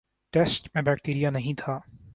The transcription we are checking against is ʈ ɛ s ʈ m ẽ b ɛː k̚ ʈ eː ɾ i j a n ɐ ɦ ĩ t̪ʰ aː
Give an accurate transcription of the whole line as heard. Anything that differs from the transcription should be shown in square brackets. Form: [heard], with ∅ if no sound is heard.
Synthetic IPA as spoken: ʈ ɛ s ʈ m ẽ b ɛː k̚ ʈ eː ɾ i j a n ɐ ɦ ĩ t̪ʰ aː